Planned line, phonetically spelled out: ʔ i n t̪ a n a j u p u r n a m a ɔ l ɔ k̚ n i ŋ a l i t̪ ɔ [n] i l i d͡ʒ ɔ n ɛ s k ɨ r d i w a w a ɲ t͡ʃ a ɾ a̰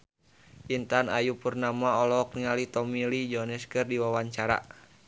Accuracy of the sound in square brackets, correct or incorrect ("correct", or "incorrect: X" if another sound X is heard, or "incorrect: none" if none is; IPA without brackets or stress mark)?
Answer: incorrect: m